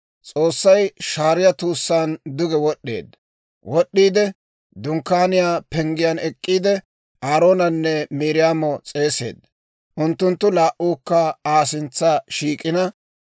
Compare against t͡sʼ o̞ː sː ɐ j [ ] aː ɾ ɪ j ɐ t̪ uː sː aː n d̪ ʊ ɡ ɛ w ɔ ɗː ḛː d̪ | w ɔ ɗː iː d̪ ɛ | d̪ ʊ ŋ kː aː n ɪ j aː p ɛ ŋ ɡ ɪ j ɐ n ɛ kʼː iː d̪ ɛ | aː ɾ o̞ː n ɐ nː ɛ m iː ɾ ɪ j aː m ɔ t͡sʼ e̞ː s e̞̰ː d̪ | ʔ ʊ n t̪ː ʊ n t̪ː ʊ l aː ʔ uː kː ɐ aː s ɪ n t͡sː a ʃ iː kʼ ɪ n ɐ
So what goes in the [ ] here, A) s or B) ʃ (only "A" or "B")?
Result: B